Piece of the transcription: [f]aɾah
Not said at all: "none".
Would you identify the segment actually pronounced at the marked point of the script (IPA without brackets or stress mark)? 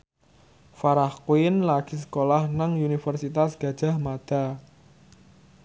f